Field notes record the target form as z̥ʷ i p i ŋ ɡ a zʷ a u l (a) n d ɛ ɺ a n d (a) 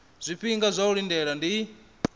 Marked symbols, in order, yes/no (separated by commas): no, no